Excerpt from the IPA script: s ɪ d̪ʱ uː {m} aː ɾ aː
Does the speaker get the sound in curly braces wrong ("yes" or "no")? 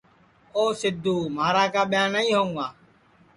no